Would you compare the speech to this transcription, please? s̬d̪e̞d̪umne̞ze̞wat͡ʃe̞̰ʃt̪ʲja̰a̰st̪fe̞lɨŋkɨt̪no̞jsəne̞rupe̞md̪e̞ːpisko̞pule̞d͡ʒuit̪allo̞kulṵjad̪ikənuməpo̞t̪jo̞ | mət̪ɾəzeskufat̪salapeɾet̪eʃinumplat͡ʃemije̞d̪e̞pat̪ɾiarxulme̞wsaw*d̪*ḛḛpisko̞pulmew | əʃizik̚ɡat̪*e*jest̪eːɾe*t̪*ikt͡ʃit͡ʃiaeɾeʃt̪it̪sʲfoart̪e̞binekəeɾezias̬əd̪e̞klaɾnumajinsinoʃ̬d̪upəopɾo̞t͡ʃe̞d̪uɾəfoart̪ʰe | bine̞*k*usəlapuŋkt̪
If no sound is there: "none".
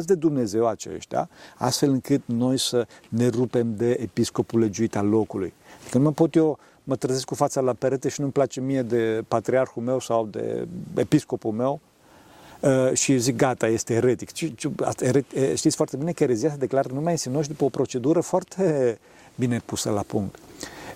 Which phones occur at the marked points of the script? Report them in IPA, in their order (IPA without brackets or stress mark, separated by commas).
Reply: d̪, a, t̪, p